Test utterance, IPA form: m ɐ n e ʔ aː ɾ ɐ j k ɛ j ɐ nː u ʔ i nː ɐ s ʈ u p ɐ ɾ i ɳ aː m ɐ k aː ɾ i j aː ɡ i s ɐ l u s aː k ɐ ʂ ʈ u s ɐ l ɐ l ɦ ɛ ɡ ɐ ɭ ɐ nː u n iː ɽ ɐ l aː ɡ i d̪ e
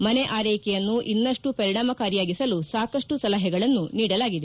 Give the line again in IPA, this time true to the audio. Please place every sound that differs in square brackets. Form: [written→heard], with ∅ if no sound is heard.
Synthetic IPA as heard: m ɐ n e ʔ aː ɾ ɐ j k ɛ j ɐ nː u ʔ i nː ɐ [s→ʂ] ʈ u p ɐ ɾ i ɳ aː m ɐ k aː ɾ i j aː ɡ i s ɐ l u s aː k ɐ ʂ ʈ u s ɐ l ɐ [l→∅] ɦ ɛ ɡ ɐ ɭ ɐ nː u n iː ɽ ɐ l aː ɡ i d̪ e